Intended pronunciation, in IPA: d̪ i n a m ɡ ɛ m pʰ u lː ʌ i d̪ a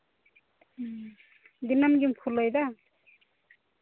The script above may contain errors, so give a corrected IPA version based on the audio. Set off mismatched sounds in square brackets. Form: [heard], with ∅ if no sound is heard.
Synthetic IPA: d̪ i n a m ɡ [i] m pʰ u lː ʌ [j] d̪ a